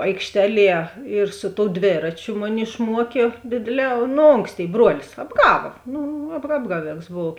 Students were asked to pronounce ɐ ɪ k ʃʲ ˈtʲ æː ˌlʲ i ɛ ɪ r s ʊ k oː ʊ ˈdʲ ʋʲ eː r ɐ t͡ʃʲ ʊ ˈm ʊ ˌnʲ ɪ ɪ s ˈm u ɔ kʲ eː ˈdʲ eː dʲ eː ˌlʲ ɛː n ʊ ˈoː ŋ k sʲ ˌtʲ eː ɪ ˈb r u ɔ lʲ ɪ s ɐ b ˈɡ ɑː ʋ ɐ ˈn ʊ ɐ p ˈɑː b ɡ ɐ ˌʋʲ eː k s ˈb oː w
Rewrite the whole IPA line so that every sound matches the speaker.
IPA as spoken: ɐ ɪ k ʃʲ ˈtʲ æː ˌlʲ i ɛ ɪ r s ʊ t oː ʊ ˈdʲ ʋʲ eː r ɐ t͡ʃʲ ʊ ˈm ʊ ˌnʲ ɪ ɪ ʃ ˈm u ɔ kʲ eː ˈdʲ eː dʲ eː ˌlʲ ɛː n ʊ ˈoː ŋ k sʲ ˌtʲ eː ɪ ˈb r u ɔ lʲ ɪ s ɐ b ˈɡ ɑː ʋ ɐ ˈn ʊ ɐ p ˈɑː b ɡ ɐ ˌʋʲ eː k s ˈb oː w